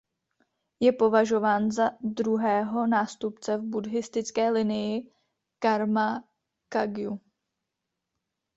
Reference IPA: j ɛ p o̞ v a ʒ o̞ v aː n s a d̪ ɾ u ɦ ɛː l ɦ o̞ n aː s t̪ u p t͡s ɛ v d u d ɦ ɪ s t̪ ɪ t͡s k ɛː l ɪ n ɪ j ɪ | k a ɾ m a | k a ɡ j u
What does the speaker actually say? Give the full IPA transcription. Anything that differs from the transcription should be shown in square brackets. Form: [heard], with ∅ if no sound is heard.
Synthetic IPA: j ɛ p o̞ v a ʒ o̞ v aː n [z] a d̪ ɾ u ɦ ɛː [∅] ɦ o̞ n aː s t̪ u p t͡s ɛ v [b] u d ɦ ɪ s t̪ ɪ t͡s k ɛː l ɪ n ɪ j ɪ | k a ɾ m a | k a ɡ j u

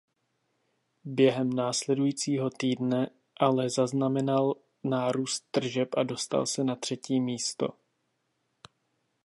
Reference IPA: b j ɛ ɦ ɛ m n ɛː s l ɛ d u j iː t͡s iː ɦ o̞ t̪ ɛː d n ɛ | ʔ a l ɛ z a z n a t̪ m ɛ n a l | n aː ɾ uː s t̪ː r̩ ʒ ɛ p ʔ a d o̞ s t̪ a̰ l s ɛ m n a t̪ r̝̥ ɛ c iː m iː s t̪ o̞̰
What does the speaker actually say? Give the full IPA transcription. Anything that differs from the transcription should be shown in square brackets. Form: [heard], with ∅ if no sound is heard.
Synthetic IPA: b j ɛ ɦ ɛ m n [aː] s l ɛ d u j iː t͡s iː ɦ o̞ t̪ [iː] d n ɛ | ʔ a l ɛ z a z n a [∅] m ɛ n a l | n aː ɾ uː s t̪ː r̩ ʒ ɛ p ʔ a d o̞ s t̪ a̰ l s ɛ [∅] n a t̪ r̝̥ ɛ c iː m iː s t̪ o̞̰

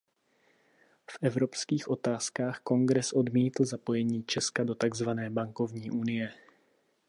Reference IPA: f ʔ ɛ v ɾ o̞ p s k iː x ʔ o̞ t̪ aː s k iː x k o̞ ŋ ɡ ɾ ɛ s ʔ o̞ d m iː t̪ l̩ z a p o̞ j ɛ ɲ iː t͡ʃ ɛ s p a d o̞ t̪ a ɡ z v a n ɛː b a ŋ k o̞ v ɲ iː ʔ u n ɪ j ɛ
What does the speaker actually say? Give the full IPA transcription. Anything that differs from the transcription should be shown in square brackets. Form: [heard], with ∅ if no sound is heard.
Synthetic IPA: f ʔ ɛ v ɾ o̞ p s k iː x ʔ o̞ t̪ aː s k [aː] x k o̞ ŋ ɡ ɾ ɛ s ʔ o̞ d m iː t̪ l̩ z a p o̞ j ɛ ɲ iː t͡ʃ ɛ s [k] a d o̞ t̪ a ɡ z v a n ɛː b a ŋ k o̞ v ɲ iː ʔ u n ɪ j ɛ

